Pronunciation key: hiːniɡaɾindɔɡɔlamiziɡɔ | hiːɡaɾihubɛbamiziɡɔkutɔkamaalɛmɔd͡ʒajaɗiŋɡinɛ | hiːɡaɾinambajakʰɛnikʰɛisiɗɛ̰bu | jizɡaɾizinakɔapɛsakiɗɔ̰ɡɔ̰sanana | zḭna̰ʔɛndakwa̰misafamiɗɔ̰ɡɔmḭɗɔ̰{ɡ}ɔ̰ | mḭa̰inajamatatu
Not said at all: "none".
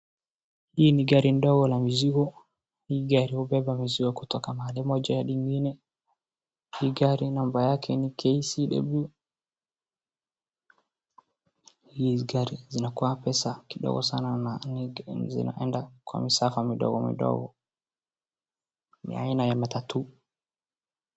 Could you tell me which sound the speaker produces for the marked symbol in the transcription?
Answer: ɡ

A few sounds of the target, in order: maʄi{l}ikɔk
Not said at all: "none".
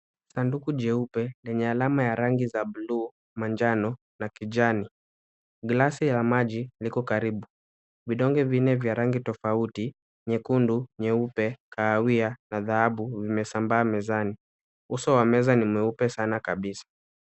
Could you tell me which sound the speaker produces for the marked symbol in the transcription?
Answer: l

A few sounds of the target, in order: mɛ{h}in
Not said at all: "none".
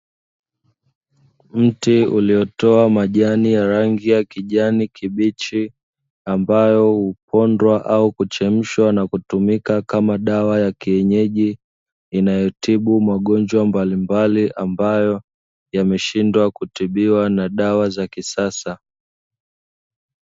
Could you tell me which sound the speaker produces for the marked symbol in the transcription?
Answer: ʃ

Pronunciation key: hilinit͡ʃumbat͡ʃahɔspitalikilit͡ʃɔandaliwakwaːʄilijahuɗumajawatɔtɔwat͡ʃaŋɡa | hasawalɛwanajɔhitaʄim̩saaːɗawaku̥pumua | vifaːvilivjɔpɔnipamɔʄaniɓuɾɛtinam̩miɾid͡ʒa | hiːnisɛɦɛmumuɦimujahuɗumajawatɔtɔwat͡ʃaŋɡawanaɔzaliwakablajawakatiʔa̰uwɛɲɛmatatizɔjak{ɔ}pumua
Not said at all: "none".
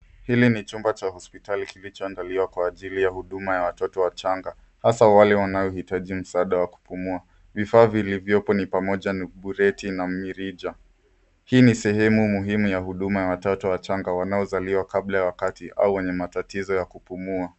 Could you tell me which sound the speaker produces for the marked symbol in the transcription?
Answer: u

